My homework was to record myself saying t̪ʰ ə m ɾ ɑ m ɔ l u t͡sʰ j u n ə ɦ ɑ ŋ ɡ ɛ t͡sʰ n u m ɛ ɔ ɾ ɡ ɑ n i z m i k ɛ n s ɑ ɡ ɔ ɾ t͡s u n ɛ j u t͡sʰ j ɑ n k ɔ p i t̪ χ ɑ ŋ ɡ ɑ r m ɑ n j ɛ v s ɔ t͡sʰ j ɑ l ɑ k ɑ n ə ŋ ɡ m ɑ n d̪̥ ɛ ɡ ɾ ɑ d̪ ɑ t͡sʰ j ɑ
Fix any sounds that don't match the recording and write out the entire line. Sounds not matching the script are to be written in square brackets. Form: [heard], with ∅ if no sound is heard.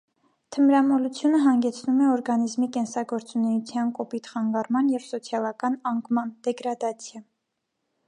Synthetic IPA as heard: t̪ʰ ə m ɾ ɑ m ɔ l u t͡sʰ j u n ə ɦ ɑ ŋ ɡ ɛ t͡sʰ n u m ɛ ɔ ɾ ɡ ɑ n i z m i k ɛ n s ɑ ɡ ɔ ɾ t͡s u n ɛ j u t͡sʰ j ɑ n k ɔ p i t̪ χ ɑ ŋ ɡ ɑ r m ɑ n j ɛ v s ɔ t͡sʰ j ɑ l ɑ k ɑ n [ɑ] ŋ ɡ m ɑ n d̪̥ ɛ ɡ ɾ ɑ d̪ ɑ t͡sʰ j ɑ